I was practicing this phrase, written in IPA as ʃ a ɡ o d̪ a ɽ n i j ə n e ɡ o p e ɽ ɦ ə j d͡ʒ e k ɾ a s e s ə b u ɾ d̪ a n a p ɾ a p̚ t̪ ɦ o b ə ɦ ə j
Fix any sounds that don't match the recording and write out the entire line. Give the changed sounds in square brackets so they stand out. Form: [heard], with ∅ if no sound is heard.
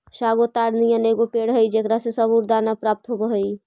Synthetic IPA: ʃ a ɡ o [t̪] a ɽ n i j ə n e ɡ o p e ɽ ɦ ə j d͡ʒ e k ɾ a s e s ə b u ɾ d̪ a n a p ɾ a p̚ t̪ ɦ o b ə ɦ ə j

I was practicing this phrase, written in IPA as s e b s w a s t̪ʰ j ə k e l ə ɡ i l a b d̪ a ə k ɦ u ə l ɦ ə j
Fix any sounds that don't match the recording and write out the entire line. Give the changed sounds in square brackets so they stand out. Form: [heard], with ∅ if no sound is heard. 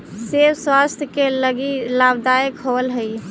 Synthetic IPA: s e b s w a s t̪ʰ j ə k e l ə ɡ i l a b d̪ a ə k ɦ [o] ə l ɦ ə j

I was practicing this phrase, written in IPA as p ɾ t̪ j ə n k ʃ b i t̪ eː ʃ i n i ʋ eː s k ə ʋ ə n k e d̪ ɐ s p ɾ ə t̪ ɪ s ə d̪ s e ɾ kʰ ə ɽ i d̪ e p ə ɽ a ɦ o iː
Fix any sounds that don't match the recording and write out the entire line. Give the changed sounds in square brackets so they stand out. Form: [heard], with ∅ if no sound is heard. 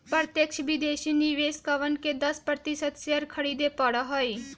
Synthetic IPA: p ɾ t̪ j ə [∅] k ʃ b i [d̪] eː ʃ i n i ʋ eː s k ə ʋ ə n k e d̪ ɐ s p ɾ ə t̪ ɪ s ə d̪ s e ɾ kʰ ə ɽ i d̪ e p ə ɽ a ɦ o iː

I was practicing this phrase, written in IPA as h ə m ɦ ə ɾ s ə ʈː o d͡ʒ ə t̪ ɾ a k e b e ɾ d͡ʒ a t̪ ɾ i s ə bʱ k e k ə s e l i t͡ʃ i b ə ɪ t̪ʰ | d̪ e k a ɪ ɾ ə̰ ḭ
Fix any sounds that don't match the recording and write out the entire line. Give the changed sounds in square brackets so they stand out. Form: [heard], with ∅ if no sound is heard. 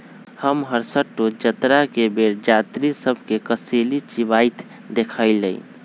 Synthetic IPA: h ə m ɦ ə ɾ s ə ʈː o d͡ʒ ə t̪ ɾ a k e b e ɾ d͡ʒ a t̪ ɾ i s ə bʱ k e k ə s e l i t͡ʃ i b [a] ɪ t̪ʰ | d̪ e [kʰ] a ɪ [l] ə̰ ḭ

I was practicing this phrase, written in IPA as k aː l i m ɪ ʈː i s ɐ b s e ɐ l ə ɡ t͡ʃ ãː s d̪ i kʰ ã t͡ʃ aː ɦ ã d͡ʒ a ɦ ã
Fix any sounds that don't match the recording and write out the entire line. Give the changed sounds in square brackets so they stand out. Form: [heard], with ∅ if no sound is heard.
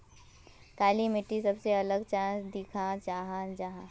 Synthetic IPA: k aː l i m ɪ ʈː i s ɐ b s e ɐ l ə ɡ t͡ʃ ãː s d̪ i kʰ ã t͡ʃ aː ɦ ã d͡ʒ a ɦ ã

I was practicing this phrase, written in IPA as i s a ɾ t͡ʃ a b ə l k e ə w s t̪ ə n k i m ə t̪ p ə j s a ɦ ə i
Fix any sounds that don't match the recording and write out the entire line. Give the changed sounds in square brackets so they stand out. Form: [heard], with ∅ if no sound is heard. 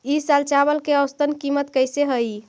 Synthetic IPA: i s a [l] t͡ʃ a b ə l k e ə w s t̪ ə n k i m ə t̪ [k] ə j s [e] ɦ ə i

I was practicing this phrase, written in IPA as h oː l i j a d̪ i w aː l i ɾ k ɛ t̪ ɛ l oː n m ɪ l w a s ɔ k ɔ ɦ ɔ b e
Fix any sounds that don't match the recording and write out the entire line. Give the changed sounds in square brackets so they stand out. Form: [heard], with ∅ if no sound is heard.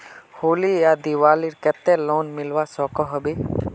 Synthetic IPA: h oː l i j a d̪ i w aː l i ɾ k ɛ t̪ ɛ l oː n m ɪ l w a s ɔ k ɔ ɦ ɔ b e

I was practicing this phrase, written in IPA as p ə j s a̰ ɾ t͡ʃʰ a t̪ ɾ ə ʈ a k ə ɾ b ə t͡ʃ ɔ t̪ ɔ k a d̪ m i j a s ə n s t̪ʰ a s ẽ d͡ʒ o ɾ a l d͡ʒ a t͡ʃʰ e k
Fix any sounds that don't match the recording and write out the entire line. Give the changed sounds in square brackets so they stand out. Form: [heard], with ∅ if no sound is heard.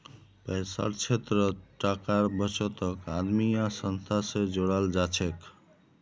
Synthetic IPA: p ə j s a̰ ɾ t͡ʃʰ [e] t̪ ɾ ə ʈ a k [a] ɾ b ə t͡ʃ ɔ t̪ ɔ k a d̪ m i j a s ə n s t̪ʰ a s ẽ d͡ʒ o [ɽ] a l d͡ʒ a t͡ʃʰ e k

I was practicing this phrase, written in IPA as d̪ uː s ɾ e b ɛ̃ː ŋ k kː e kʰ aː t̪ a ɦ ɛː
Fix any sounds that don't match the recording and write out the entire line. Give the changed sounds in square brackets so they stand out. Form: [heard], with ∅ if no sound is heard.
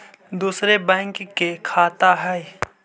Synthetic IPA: d̪ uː s ɾ e b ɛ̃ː ŋ k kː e kʰ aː t̪ a ɦ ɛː

